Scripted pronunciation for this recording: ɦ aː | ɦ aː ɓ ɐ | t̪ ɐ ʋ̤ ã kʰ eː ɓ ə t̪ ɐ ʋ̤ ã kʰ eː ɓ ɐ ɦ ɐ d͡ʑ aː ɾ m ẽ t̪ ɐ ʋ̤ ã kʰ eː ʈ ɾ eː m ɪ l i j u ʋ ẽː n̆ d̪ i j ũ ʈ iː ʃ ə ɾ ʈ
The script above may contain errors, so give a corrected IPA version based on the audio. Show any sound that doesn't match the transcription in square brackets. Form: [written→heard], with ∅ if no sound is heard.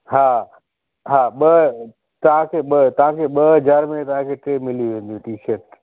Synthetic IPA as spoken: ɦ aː | ɦ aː ɓ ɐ | t̪ ɐ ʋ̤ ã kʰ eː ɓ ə t̪ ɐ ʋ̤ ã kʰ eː ɓ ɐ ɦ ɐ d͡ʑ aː ɾ m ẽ t̪ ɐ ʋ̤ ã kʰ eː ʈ ɾ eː m ɪ l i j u ʋ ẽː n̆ d̪ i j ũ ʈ iː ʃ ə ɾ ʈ